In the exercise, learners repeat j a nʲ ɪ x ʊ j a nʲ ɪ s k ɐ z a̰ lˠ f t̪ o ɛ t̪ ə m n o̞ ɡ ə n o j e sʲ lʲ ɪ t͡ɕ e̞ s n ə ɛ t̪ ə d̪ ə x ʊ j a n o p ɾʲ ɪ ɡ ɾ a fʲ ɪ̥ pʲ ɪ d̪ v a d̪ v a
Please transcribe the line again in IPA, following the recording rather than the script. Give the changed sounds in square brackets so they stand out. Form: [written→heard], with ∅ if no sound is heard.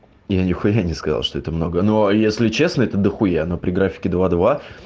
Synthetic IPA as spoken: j a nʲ ɪ x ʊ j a nʲ ɪ s k ɐ z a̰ lˠ [f→ʂ] t̪ o ɛ t̪ ə m n o̞ ɡ ə n o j e sʲ lʲ ɪ t͡ɕ e̞ s n ə ɛ t̪ ə d̪ ə x ʊ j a n o p ɾʲ ɪ ɡ ɾ a fʲ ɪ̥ [pʲ→kʲ] ɪ d̪ v a d̪ v a

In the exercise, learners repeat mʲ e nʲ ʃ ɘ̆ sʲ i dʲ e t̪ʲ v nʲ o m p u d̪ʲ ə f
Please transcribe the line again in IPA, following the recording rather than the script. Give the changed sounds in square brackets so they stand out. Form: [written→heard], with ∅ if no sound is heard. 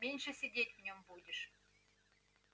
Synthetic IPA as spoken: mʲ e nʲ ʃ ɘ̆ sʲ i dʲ e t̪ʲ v nʲ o m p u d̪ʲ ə [f→ʃ]

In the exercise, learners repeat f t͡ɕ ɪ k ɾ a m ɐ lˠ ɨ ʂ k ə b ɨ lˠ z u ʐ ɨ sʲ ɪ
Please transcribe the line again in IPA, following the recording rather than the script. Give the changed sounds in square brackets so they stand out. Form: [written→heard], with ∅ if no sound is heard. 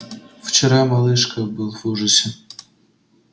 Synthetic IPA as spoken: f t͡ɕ ɪ [k→∅] ɾ a m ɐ lˠ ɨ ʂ k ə b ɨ lˠ [z→v] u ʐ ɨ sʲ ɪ

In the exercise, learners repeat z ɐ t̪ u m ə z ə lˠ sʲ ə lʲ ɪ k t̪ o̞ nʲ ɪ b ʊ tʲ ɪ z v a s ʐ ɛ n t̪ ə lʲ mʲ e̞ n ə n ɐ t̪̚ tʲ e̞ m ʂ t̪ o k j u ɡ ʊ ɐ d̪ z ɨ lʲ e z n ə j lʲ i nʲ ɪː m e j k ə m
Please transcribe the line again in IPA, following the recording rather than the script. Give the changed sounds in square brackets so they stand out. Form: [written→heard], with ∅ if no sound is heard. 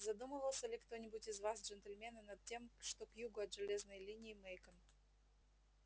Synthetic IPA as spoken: z ɐ [t̪→d̪] u m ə [z→v] ə lˠ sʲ ə lʲ ɪ k t̪ o̞ nʲ ɪ b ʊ tʲ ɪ z v a s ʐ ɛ n t̪ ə lʲ mʲ e̞ n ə n ɐ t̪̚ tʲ e̞ m ʂ t̪ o k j u ɡ ʊ ɐ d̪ [z→ʐ] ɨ lʲ e z n ə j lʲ i nʲ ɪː m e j k ə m

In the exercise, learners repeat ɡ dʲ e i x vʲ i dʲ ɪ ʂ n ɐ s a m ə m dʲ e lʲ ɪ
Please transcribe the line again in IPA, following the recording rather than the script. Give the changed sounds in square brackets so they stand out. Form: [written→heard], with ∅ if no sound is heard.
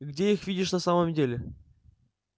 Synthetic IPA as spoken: ɡ dʲ e i x vʲ i dʲ ɪ ʂ n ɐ s a m ə m dʲ e lʲ ɪ

